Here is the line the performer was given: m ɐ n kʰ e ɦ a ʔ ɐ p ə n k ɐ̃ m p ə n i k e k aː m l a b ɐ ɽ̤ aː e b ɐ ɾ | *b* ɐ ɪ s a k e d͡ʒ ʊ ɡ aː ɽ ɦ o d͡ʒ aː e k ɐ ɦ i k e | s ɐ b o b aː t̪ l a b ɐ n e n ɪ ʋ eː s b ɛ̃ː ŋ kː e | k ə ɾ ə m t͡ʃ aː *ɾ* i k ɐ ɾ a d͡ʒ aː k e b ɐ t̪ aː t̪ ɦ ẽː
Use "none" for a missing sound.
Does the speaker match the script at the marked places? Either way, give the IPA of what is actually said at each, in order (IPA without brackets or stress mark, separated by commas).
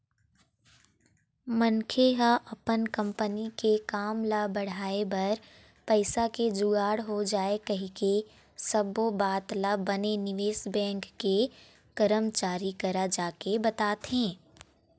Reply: p, ɾ